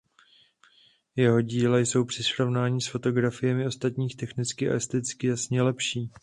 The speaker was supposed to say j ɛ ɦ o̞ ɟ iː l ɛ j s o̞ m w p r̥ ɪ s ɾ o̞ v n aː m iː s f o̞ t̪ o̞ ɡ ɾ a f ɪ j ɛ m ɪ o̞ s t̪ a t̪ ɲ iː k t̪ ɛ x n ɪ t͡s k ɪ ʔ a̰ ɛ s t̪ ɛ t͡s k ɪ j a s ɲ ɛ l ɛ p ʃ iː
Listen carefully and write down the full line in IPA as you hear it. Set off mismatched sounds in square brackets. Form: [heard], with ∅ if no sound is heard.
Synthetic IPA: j ɛ ɦ o̞ ɟ iː l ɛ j s o̞ [∅] w p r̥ ɪ s ɾ o̞ v n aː [ɲ] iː s f o̞ t̪ o̞ ɡ ɾ a f ɪ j ɛ m ɪ o̞ s t̪ a t̪ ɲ iː [x] t̪ ɛ x n ɪ t͡s k ɪ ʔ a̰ ɛ s t̪ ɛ t͡s k ɪ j a s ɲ ɛ l ɛ p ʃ iː